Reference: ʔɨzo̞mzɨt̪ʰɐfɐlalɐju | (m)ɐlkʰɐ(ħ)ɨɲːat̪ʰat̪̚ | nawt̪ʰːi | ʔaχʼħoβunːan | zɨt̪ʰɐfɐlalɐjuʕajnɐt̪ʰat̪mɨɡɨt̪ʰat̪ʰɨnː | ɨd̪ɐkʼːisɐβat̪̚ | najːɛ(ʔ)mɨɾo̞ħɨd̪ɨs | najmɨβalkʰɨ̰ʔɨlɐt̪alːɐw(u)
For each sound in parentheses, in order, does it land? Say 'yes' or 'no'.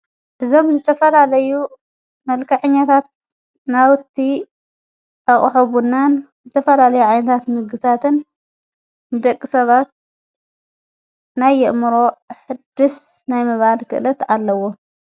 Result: yes, yes, yes, no

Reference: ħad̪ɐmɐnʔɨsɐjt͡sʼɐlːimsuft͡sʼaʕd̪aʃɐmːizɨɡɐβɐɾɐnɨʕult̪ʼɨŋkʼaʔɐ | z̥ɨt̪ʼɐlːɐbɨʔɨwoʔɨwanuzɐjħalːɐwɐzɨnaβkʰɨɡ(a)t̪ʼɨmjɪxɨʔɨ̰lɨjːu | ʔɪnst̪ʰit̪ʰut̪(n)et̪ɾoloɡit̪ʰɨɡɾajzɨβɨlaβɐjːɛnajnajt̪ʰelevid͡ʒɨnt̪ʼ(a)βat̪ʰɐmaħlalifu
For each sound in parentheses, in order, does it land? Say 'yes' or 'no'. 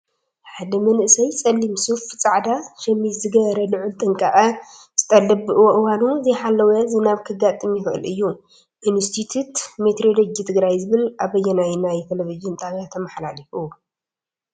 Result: yes, no, yes

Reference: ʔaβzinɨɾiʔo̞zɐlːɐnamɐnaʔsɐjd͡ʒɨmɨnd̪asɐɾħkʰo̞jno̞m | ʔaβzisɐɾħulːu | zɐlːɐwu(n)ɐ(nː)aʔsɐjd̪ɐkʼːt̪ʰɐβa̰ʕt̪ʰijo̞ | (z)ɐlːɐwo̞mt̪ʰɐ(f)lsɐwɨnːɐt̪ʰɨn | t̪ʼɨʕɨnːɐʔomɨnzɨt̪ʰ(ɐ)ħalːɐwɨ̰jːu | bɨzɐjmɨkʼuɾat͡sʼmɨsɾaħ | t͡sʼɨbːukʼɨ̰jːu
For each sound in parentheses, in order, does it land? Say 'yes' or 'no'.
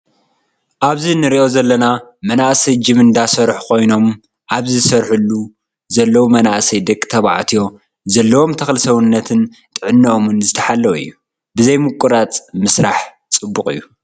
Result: no, no, yes, no, yes

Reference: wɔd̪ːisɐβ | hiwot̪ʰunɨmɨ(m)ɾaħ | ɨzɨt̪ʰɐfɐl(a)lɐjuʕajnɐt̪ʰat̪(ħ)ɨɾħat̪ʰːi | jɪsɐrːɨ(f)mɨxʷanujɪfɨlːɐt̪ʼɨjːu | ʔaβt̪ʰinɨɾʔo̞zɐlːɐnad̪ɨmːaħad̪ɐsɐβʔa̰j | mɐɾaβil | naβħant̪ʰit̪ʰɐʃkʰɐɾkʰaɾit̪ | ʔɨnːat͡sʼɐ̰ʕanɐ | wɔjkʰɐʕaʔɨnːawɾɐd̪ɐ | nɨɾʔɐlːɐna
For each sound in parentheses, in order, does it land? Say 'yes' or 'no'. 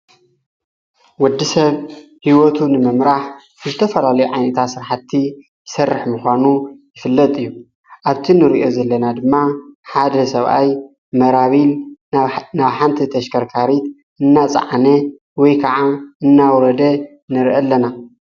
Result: yes, yes, no, no

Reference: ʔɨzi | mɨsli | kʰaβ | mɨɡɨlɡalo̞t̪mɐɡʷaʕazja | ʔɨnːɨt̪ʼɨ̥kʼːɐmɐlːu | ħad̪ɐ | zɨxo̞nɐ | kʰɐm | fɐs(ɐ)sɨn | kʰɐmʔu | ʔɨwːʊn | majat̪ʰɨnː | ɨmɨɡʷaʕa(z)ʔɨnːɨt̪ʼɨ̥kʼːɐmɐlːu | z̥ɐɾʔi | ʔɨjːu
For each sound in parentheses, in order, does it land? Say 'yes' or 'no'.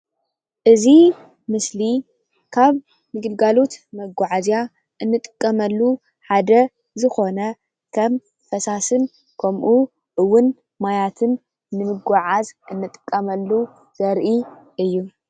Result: no, yes

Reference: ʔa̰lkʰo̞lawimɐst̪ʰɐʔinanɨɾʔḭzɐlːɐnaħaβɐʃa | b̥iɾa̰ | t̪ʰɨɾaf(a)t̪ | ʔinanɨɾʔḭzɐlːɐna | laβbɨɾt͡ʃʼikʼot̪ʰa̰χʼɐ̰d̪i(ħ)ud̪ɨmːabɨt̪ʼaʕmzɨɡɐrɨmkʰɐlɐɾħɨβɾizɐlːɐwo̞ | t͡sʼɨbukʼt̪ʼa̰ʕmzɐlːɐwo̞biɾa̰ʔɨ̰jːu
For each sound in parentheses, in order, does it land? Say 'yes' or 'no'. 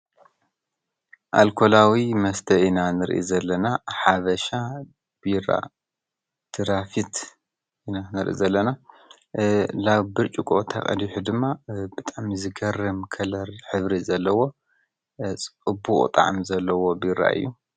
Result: no, yes

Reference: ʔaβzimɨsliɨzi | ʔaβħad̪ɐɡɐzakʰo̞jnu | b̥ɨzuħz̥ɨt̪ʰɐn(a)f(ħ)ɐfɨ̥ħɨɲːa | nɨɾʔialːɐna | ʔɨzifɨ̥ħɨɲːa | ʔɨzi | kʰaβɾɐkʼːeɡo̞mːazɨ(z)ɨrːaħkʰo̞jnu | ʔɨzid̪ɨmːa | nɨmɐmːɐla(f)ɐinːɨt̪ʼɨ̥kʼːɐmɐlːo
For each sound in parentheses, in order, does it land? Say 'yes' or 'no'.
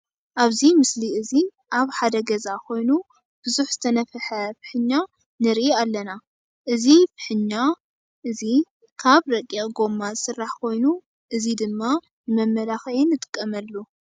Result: no, yes, no, no

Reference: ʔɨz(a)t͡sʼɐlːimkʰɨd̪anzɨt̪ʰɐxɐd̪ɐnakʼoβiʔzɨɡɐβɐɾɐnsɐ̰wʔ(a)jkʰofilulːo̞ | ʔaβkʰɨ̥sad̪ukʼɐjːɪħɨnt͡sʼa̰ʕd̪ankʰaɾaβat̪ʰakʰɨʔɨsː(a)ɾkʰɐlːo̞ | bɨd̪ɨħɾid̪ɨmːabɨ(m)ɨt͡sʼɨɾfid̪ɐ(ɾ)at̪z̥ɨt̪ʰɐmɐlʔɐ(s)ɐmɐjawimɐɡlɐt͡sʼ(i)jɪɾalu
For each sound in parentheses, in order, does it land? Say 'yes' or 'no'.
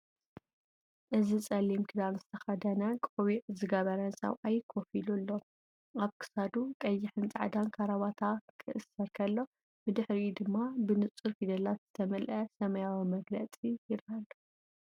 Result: no, yes, no, no, no, yes, yes

